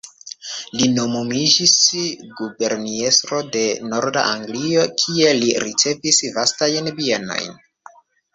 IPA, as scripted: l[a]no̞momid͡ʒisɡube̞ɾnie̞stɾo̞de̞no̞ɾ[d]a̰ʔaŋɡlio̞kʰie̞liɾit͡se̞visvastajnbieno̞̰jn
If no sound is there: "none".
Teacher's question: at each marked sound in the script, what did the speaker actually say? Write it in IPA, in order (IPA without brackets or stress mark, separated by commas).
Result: i, d